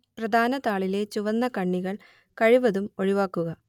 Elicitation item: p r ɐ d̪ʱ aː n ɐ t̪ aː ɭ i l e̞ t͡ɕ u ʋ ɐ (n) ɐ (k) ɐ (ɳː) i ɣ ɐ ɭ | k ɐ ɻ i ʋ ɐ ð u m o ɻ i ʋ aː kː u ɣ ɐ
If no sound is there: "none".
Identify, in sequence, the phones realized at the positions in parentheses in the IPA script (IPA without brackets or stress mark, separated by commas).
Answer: nː, k, ɳː